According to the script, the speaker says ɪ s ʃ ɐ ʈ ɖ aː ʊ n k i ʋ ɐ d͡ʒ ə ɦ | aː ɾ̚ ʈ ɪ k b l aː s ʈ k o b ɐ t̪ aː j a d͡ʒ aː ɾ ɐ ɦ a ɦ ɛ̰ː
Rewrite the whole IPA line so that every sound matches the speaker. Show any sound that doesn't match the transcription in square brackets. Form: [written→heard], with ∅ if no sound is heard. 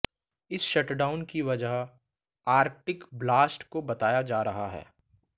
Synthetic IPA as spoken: ɪ s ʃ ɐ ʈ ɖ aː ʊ n k i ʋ ɐ d͡ʒ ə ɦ | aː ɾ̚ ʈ ɪ k b l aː s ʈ k o b ɐ t̪ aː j a d͡ʒ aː ɾ ɐ ɦ a ɦ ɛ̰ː